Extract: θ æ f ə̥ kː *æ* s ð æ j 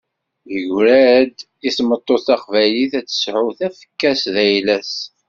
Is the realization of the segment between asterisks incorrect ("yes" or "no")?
no